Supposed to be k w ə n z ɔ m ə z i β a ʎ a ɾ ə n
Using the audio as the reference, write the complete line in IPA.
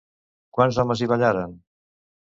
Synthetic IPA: k w a n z ɔ m ə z i β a ʎ a ɾ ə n